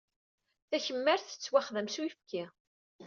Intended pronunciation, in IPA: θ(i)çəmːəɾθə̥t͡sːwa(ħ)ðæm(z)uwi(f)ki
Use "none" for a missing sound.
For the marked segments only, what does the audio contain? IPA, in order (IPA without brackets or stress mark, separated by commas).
æ, χ, s, f